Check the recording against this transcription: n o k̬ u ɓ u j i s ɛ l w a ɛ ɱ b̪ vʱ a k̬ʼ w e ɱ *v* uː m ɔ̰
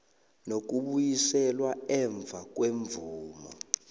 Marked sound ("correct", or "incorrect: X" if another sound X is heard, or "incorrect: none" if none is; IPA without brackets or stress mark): correct